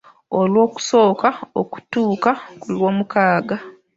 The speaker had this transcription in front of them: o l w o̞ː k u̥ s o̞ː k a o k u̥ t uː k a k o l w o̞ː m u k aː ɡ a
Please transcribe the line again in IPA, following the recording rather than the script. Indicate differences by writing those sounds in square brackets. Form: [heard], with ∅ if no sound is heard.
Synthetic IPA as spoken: o l w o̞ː k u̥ s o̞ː k a o k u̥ t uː k a k [u] l w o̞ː m u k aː ɡ a